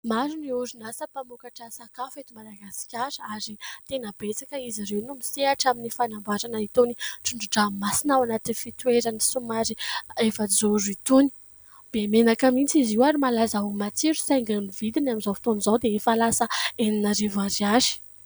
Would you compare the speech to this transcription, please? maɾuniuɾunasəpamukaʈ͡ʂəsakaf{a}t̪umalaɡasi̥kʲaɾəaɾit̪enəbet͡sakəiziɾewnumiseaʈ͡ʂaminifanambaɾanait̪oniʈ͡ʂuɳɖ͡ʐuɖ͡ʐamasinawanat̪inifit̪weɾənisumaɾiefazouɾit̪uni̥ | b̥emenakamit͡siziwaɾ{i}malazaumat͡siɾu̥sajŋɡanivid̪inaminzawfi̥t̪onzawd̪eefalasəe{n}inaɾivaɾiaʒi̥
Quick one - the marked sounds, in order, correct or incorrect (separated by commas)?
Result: incorrect, correct, correct